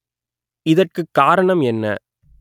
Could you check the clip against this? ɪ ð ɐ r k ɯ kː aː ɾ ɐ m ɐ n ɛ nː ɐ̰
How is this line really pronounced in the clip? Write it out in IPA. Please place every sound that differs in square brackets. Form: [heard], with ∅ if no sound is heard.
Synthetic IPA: ɪ ð ɐ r k ɯ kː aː ɾ ɐ [ɳ] ɐ [m] ɛ nː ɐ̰